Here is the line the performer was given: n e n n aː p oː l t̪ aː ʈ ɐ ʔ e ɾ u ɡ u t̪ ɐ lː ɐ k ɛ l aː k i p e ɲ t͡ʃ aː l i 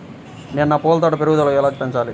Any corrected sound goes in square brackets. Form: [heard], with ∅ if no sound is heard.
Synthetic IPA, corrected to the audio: n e n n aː p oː l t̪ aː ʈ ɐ [p] e ɾ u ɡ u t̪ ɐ [l] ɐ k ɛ l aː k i p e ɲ t͡ʃ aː l i